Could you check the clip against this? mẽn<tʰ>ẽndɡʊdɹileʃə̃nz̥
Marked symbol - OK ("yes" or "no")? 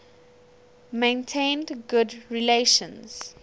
yes